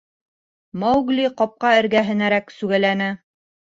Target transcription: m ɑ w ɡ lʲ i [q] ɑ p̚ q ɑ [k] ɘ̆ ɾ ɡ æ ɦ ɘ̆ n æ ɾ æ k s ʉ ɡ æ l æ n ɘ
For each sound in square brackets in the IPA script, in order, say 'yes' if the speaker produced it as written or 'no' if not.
yes, no

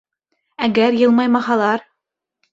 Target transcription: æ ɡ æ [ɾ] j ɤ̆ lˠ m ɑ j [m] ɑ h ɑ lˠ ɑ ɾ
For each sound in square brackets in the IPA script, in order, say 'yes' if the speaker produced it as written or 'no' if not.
yes, yes

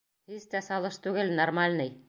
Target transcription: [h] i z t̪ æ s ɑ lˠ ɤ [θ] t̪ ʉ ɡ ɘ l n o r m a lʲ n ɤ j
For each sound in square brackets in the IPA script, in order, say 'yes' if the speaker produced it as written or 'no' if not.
yes, no

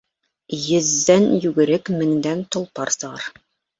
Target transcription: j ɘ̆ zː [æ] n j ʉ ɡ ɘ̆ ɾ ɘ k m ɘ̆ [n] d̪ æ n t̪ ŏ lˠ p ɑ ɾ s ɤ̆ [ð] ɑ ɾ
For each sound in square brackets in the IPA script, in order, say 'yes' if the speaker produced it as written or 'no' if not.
yes, no, no

